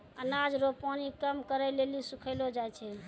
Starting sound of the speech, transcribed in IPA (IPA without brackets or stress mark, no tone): ə